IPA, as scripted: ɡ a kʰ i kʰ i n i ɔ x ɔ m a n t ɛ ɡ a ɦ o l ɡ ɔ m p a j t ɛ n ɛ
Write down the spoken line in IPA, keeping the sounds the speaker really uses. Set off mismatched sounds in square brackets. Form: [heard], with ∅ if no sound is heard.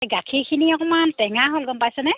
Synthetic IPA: ɡ a kʰ i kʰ i n i ɔ [k] ɔ m a n t ɛ [ŋ] a ɦ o l ɡ ɔ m p a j [s] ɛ n ɛ